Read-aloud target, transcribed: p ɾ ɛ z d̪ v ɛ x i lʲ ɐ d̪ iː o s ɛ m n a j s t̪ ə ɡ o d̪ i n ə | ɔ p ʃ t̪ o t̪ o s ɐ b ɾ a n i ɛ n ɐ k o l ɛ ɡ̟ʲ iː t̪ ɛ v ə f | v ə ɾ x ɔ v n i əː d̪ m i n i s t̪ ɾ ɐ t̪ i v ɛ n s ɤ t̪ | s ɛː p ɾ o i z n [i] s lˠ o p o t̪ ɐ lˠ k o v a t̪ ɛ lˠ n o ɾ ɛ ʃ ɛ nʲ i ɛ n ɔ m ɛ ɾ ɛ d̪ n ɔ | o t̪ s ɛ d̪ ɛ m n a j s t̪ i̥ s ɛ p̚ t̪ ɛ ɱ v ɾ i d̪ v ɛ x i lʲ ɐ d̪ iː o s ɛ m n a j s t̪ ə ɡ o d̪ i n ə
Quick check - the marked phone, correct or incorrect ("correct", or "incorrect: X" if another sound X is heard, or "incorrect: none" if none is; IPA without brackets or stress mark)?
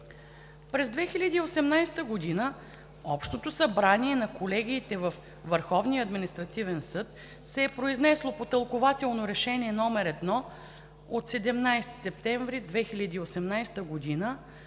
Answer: incorrect: ɛ